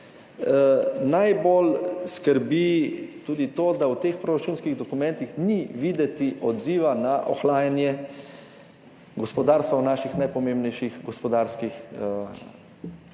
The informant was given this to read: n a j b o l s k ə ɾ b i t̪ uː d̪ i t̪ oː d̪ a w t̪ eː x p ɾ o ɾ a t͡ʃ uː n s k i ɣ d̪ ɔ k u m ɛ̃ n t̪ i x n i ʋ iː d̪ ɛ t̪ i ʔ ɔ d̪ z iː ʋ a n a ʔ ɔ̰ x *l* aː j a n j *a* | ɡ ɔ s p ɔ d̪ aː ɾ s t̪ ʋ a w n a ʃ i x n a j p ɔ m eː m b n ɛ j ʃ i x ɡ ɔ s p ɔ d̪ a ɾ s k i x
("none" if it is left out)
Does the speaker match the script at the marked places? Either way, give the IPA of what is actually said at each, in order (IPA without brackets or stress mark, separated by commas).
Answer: l, ɛ